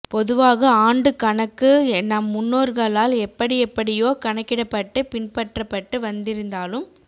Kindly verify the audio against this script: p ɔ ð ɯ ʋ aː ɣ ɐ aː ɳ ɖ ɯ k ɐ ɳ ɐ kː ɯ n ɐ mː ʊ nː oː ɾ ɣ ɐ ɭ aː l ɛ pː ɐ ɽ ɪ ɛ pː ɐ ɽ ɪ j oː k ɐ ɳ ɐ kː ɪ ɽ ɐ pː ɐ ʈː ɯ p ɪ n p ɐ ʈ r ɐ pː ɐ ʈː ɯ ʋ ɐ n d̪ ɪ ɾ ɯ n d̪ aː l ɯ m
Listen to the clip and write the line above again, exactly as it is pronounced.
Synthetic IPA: p ɔ ð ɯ ʋ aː ɣ ɐ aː ɳ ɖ ɯ k ɐ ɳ ɐ kː ɯ n ɐ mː ʊ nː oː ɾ ɣ ɐ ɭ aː l ɛ pː ɐ ɽ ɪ ɛ pː ɐ ɽ ɪ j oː k ɐ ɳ ɐ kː ɪ ɽ ɐ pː ɐ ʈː ɯ p ɪ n p ɐ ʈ r ɐ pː ɐ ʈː ɯ ʋ ɐ n d̪ ɪ ɾ ɯ n d̪ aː l ɯ m

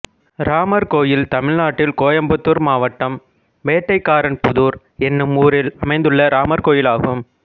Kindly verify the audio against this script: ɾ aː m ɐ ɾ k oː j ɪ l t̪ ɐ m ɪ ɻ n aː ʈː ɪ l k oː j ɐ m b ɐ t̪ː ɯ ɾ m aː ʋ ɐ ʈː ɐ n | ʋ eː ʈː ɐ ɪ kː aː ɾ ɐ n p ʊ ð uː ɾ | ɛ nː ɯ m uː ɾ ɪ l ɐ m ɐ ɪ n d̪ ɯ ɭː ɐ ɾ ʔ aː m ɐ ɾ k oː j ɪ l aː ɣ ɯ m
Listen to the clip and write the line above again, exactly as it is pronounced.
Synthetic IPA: ɾ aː m ɐ ɾ k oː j ɪ l t̪ ɐ m ɪ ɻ n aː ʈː ɪ l k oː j ɐ m b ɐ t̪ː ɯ ɾ m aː ʋ ɐ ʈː ɐ m | ʋ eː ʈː ɐ ɪ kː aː ɾ ɐ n p ʊ ð uː ɾ | ɛ nː ɯ m uː ɾ ɪ l ɐ m ɐ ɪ n d̪ ɯ ɭː ɐ ɾ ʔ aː m ɐ ɾ k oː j ɪ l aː ɣ ɯ m

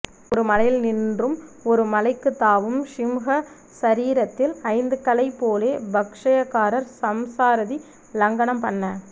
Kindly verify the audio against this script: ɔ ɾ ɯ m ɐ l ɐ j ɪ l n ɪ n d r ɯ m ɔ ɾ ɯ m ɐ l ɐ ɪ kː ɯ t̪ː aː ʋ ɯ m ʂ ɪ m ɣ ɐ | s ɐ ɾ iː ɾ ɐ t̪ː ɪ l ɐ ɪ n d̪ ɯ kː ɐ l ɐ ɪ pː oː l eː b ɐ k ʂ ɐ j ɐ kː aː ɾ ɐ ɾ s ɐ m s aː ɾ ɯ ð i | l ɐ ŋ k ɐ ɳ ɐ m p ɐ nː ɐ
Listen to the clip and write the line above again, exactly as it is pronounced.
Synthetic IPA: ɔ ɾ ɯ m ɐ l ɐ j ɪ l n ɪ n d r ɯ m ɔ ɾ ɯ m ɐ l ɐ ɪ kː ɯ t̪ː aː ʋ ɯ m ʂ ɪ m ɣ ɐ | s ɐ ɾ iː ɾ ɐ t̪ː ɪ l ɐ ɪ n d̪ ɯ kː ɐ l ɐ ɪ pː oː l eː b ɐ k ʂ ɐ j ɐ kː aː ɾ ɐ ɾ s ɐ m s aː ɾ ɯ ð i | l ɐ ŋ ɡ ɐ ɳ ɐ m p ɐ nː ɐ

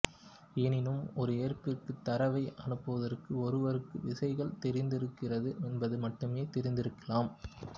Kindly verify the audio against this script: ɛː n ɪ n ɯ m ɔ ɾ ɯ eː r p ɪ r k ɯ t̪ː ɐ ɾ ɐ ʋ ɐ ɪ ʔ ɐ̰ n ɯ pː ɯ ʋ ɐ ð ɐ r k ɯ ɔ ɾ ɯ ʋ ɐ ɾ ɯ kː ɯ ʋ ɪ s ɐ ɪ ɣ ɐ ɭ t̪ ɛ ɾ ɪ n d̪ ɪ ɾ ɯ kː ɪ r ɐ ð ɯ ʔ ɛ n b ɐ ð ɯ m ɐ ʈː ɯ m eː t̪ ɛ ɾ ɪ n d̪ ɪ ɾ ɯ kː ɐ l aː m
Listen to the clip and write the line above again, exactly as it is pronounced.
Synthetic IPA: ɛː n ɪ n ɯ m ɔ ɾ ɯ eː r p ɪ r k ɯ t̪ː ɐ ɾ ɐ ʋ ɐ ɪ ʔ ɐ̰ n ɯ pː ɯ ʋ ɐ ð ɐ r k ɯ ɔ ɾ ɯ ʋ ɐ ɾ ɯ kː ɯ ʋ ɪ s ɐ ɪ ɣ ɐ ɭ t̪ ɛ ɾ ɪ n d̪ ɪ ɾ ɯ kː ɪ r ɐ ð ɯ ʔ ɛ n b ɐ ð ɯ m ɐ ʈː ɯ m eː t̪ ɛ ɾ ɪ n d̪ ɪ ɾ ɯ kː ɐ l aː m

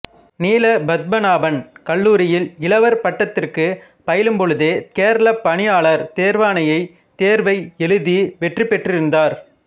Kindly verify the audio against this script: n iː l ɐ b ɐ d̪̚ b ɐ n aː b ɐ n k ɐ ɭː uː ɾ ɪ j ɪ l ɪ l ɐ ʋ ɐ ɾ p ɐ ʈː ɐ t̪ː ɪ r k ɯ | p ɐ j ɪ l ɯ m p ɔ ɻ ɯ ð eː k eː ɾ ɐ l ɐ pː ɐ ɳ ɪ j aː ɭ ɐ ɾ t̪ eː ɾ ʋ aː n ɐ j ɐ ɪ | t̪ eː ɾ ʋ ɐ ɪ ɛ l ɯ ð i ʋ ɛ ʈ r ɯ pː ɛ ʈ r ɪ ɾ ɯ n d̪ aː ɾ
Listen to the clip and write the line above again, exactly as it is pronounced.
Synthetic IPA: n iː l ɐ b ɐ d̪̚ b ɐ n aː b ɐ n k ɐ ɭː uː ɾ ɪ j ɪ l ɪ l ɐ ʋ ɐ ɾ p ɐ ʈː ɐ t̪ː ɪ r k ɯ | p ɐ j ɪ l ɯ m p ɔ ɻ ɯ ð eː k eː ɾ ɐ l ɐ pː ɐ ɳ ɪ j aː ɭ ɐ ɾ t̪ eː ɾ ʋ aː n ɐ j ɐ ɪ | t̪ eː ɾ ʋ ɐ ɪ ɛ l ɯ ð i ʋ ɛ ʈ r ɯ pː ɛ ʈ r ɪ ɾ ɯ n d̪ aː ɾ

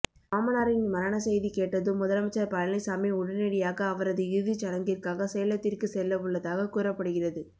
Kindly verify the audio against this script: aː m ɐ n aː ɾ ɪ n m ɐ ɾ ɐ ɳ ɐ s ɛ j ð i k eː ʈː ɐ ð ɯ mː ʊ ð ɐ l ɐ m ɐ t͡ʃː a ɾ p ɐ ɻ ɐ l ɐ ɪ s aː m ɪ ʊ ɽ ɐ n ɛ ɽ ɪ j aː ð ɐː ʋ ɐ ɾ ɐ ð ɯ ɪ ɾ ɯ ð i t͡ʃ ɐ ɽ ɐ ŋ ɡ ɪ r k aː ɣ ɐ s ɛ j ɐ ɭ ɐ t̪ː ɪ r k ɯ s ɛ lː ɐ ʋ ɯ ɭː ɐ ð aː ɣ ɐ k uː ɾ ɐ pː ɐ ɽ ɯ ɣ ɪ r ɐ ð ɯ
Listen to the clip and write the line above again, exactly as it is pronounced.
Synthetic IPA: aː m ɐ n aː ɾ ɪ n m ɐ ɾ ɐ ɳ ɐ s ɛ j ð i k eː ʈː ɐ ð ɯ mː ʊ ð ɐ l ɐ m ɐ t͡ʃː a ɾ p ɐ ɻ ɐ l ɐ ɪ s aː m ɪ ʊ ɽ ɐ n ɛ ɽ ɪ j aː ɣ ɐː ʋ ɐ ɾ ɐ ð ɯ ɪ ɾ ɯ ð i t͡ʃ ɐ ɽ ɐ ŋ ɡ ɪ r k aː ɣ ɐ s ɛ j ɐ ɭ ɐ t̪ː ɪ r k ɯ s ɛ lː ɐ ʋ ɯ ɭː ɐ ð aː ɣ ɐ k uː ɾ ɐ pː ɐ ɽ ɯ ɣ ɪ r ɐ ð ɯ

